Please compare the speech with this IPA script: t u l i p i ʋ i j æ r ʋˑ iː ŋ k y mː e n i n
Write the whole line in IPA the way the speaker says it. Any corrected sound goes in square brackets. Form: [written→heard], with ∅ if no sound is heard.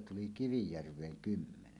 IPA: t u l i [p→k] i ʋ i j æ r ʋˑ [iː→eː] ŋ k y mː e n [i→e] n